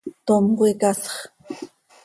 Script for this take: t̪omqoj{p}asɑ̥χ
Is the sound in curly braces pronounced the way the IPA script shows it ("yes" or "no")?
no